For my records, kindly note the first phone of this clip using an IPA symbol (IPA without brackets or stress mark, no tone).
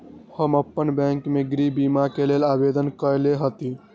h